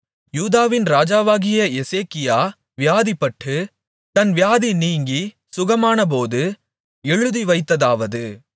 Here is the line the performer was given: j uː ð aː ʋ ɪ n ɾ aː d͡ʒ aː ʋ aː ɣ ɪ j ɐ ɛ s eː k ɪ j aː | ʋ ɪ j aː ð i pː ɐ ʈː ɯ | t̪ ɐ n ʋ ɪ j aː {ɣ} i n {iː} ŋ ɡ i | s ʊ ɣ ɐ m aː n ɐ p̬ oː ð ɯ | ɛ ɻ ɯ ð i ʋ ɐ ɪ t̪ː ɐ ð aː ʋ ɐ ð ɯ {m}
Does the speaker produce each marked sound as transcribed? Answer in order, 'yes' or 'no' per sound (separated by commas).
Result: no, yes, no